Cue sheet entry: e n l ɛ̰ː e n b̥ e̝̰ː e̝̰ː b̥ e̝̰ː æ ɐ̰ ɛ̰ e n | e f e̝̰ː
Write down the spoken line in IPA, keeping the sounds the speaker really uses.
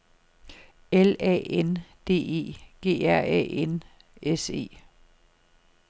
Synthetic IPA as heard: e l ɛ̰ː e n d̥ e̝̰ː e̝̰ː ɡ̥ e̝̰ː æ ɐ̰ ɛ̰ e n | e s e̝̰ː

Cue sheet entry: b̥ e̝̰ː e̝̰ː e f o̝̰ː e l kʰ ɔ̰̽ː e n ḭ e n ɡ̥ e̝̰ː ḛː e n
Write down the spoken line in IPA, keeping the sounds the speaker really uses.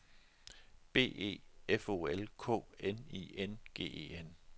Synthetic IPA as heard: b̥ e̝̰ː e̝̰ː e f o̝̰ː e l kʰ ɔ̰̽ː e n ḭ e n ɡ̥ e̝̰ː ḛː e n

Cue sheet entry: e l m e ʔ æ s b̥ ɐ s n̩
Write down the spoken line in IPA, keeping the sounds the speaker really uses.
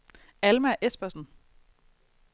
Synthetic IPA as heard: æ l m æ ʔ e s b̥ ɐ s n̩

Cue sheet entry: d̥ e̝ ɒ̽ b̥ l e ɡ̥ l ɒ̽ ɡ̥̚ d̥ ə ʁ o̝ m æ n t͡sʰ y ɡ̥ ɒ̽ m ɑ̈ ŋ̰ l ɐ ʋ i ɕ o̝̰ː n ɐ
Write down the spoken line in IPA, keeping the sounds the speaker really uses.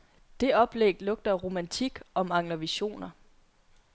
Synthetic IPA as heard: d̥ e̝ ɒ̽ b̥ l e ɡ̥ l ɔ̽ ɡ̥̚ d̥ ɐ ʁ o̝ m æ n t͡sʰ i ɡ̥ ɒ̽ m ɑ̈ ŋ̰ l ɐ ʋ i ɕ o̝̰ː n ɐ

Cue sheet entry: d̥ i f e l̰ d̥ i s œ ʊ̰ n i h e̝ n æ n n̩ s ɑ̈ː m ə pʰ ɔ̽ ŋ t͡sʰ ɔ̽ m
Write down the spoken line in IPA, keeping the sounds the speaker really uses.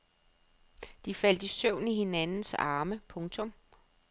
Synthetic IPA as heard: d̥ i f æ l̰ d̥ i s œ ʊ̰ n i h e̝ n æ n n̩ s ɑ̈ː m ə pʰ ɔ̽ ŋ t͡sʰ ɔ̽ m

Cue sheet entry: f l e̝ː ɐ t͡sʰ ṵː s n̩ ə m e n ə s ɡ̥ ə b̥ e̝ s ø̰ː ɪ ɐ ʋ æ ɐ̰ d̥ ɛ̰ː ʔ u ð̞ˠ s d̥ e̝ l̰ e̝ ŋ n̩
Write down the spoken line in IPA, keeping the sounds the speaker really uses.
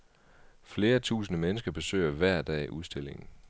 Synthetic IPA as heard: f l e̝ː ɐ t͡sʰ ṵː s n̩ ə m e n ə s ɡ̥ ɐ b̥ e̝ s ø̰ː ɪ ɐ ʋ æ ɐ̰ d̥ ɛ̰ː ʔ u ð̞ˠ s d̥ e̝ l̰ e̝ ŋ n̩

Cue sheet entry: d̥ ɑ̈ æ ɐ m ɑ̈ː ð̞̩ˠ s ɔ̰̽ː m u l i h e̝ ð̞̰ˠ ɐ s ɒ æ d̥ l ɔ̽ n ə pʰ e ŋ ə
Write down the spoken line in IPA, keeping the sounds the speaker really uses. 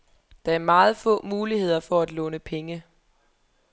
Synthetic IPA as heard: d̥ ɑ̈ æ ɐ m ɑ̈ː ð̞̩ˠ f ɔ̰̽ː m uː l i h e̝ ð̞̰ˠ ɐ f ɒ æ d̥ l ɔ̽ n ə pʰ e ŋ ə

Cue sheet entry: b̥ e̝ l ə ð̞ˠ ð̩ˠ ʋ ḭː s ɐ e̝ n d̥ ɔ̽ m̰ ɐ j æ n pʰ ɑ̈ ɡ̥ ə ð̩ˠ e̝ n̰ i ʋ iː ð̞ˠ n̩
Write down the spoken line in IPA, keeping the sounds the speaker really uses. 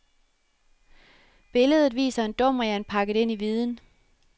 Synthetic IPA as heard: b̥ e̝ l ə ð̞ˠ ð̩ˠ ʋ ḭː s ɐ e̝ n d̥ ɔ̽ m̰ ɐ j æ n pʰ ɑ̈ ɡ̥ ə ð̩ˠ e̝ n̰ i ʋ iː ð̞ˠ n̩

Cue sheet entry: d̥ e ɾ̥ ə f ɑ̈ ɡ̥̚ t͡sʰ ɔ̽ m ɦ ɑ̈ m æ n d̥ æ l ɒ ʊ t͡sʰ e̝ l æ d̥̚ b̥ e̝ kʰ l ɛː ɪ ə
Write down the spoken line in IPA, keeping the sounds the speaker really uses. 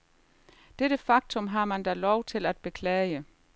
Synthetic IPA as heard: d̥ e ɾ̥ ə f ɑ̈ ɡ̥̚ t͡sʰ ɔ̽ m ɦ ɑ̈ m æ n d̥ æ l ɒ ʊ t͡sʰ e̝ l æ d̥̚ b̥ e̝ kʰ l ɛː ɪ ə

